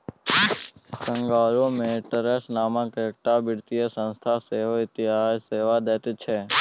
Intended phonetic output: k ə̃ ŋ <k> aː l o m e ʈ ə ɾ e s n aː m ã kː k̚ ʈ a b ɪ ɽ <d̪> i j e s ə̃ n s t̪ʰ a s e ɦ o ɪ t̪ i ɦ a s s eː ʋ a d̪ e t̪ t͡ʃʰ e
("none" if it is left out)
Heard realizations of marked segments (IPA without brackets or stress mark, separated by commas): ɡ, t̪